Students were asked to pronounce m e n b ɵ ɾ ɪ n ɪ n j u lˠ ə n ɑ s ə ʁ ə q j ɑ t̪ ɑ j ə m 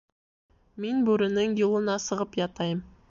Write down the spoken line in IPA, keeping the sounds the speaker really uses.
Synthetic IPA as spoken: m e n b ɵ ɾ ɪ n ɪ ŋ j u lˠ ə n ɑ s ə ʁ ə p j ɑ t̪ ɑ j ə m